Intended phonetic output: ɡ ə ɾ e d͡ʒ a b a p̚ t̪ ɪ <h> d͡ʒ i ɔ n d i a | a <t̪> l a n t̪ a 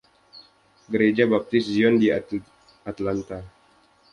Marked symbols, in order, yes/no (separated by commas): no, yes